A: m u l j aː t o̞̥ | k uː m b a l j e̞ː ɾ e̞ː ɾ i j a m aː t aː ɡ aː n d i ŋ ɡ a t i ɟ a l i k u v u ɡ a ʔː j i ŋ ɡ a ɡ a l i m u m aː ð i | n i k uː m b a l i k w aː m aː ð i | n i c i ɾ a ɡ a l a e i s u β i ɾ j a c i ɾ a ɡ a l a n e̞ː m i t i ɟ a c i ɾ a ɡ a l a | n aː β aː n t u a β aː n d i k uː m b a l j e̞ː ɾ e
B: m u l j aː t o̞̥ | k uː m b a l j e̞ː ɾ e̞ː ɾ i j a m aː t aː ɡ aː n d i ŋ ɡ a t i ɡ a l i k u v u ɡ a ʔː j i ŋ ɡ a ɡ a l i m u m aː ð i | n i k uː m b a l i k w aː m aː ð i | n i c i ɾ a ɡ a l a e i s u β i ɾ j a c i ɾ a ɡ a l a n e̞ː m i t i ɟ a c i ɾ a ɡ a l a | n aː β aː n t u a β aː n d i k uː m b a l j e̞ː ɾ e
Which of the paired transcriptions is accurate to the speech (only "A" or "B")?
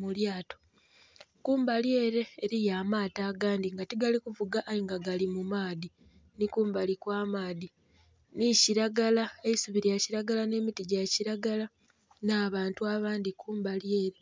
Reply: B